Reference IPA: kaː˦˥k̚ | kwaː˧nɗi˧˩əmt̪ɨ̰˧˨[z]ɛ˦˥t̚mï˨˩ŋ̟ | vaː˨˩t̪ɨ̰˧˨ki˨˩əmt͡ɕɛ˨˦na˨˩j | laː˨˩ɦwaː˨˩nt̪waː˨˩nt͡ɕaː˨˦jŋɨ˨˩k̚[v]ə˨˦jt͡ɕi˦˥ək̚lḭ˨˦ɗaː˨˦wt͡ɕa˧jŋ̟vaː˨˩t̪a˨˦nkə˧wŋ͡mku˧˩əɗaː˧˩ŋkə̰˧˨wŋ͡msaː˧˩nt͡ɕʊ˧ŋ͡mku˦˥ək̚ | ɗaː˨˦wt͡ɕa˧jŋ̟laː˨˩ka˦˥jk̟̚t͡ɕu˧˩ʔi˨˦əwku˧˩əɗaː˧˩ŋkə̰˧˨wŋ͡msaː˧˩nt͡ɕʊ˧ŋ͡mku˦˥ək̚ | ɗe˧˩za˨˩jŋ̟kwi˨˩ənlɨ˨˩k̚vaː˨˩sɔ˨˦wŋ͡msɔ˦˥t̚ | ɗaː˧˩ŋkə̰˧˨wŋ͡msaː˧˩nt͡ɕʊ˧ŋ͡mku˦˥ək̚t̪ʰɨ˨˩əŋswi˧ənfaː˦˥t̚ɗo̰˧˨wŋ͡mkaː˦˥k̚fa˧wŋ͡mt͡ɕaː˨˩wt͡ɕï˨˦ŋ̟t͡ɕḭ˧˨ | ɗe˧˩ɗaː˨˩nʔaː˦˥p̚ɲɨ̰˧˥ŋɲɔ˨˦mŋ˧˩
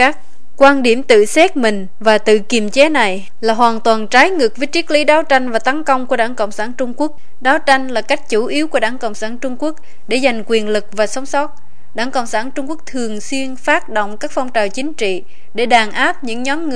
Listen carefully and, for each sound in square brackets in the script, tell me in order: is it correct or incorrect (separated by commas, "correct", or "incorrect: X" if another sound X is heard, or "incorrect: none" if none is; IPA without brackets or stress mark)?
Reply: incorrect: s, correct